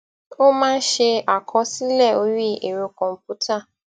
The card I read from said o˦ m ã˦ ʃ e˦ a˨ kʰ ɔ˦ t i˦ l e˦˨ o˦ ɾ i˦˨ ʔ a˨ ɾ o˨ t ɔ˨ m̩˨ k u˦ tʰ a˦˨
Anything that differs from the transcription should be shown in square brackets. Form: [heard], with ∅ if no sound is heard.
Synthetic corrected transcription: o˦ m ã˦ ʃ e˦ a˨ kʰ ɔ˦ [s] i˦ l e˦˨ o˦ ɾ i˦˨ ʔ [e˨] ɾ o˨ [k] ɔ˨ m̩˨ [p] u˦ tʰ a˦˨